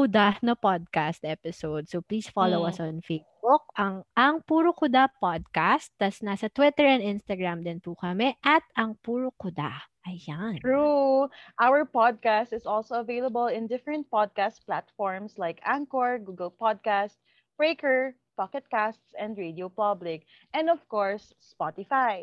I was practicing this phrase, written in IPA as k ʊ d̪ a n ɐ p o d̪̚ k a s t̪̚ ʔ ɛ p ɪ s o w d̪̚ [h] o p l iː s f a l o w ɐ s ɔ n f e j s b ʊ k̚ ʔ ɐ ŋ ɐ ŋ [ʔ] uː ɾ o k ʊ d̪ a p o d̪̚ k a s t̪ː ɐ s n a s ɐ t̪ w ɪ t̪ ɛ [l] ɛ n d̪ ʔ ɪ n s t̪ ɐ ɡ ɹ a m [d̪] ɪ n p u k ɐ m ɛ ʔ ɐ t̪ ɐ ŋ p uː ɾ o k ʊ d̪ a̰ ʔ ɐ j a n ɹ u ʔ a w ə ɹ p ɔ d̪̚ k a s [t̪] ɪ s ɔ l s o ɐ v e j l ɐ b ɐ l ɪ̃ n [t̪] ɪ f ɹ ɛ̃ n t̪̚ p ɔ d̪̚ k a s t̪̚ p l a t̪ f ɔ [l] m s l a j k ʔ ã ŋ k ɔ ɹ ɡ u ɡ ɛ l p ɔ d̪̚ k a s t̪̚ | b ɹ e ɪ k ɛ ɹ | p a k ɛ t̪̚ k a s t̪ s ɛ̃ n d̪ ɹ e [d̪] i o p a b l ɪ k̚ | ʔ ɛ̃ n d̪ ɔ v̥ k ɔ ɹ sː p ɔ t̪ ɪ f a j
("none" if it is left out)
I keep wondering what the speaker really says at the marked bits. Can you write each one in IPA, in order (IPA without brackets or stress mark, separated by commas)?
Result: s, p, ɹ, d̪, t̪, d̪, ɹ, d̪